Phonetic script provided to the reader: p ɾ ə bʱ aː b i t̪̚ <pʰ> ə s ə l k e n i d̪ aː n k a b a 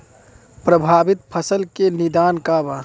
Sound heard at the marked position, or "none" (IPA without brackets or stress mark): pʰ